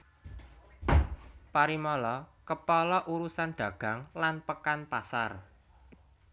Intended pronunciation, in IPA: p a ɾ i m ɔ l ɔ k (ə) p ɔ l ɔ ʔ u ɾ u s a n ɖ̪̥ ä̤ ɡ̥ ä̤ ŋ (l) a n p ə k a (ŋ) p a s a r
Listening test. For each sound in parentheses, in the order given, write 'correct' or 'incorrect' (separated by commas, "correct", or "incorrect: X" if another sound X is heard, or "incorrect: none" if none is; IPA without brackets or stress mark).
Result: correct, correct, incorrect: n